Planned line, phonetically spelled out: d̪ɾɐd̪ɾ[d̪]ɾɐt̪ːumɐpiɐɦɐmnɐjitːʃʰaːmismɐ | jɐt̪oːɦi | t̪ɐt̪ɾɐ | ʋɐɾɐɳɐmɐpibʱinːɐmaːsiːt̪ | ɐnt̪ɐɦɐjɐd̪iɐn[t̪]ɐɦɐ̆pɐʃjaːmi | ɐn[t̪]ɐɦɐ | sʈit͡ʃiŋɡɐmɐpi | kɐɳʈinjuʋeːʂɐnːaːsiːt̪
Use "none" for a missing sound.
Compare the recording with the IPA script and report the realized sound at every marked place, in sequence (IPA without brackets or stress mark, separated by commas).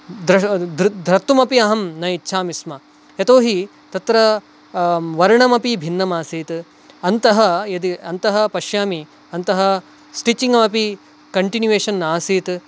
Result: d̪, t̪, t̪